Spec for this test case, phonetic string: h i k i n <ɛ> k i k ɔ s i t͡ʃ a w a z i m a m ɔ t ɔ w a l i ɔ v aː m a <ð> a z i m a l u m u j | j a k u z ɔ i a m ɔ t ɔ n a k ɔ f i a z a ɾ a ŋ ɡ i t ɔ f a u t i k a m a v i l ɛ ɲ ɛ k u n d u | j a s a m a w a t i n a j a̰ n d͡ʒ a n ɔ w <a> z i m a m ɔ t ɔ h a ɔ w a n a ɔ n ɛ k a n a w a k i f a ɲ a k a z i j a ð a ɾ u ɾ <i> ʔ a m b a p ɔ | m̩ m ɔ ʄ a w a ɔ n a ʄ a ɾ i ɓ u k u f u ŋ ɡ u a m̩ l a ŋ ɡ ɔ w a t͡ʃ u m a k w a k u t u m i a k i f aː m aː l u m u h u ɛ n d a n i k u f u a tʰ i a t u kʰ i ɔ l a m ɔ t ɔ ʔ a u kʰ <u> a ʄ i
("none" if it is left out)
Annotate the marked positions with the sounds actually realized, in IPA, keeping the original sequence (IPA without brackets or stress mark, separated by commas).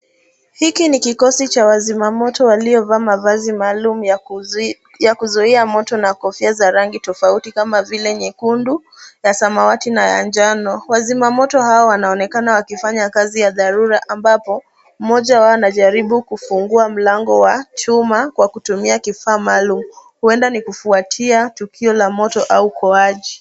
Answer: i, v, a, a, ɔ